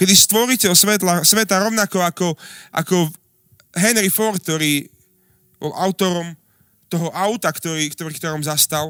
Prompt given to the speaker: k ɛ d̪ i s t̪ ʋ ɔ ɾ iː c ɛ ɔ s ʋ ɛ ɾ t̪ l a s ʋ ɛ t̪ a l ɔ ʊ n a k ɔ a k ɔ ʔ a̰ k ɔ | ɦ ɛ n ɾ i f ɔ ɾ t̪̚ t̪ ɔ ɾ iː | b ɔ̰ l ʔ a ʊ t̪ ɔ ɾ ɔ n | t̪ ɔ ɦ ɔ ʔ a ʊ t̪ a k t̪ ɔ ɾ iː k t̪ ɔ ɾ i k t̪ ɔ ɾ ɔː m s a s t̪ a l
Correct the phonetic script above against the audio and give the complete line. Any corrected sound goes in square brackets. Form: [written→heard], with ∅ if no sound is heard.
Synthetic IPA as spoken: k ɛ d̪ i s t̪ ʋ ɔ ɾ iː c ɛ ɔ s ʋ ɛ [ɾ→∅] t̪ l a s ʋ ɛ t̪ a [l→ɾ] ɔ ʊ n a k ɔ a k ɔ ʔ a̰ k ɔ | ɦ ɛ n ɾ i f ɔ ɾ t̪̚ t̪ ɔ ɾ iː | b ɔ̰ l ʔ a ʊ t̪ ɔ ɾ ɔ [n→m] | t̪ ɔ ɦ ɔ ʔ a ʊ t̪ a k t̪ ɔ ɾ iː k t̪ ɔ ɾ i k t̪ ɔ ɾ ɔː m [s→z] a s t̪ a l